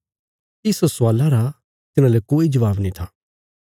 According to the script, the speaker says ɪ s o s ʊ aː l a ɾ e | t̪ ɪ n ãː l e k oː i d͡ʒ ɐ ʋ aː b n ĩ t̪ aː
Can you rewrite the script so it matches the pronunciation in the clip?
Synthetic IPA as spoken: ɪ s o s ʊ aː l a ɾ a | t̪ ɪ n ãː l e k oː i d͡ʒ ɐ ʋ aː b n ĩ t̪ʰ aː